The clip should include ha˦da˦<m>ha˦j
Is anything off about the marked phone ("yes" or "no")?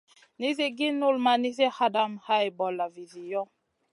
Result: no